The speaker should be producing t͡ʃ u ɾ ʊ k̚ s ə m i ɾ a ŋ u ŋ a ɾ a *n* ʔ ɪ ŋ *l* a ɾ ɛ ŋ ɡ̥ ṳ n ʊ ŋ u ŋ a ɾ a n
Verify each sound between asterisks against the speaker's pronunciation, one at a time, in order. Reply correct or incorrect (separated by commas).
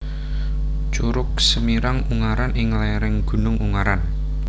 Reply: correct, correct